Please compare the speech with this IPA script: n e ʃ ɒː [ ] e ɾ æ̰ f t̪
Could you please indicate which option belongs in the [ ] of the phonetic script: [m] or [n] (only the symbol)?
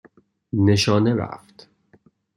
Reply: n